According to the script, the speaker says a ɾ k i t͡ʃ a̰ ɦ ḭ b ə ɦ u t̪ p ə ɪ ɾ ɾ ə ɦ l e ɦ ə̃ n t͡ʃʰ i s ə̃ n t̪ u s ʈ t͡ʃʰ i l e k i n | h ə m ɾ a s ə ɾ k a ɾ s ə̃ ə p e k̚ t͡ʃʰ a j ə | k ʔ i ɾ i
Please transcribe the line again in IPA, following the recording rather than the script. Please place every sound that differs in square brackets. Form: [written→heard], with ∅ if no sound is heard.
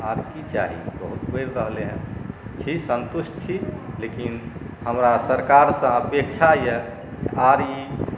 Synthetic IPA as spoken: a ɾ k i t͡ʃ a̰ ɦ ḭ b ə ɦ u t̪ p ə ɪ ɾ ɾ ə ɦ l e ɦ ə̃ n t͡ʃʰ i s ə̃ n t̪ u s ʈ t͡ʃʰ i l e k i n | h ə m ɾ a s ə ɾ k a ɾ s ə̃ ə p e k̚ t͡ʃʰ a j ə | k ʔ [i→a] ɾ i